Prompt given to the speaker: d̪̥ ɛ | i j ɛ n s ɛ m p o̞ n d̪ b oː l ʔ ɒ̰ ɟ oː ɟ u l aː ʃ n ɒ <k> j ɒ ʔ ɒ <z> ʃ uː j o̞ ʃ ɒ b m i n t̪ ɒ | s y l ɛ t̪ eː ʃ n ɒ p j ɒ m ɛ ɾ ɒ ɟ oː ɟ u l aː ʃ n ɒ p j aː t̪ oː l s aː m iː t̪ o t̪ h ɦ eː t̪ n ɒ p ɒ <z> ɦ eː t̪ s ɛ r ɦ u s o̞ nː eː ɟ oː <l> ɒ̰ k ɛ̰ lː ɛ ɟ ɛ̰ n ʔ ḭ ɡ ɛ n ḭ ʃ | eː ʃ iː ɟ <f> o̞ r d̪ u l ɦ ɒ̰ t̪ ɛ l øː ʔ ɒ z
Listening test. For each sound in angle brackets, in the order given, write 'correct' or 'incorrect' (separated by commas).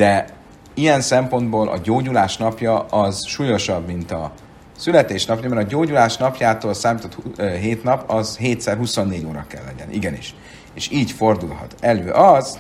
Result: incorrect, correct, correct, incorrect, correct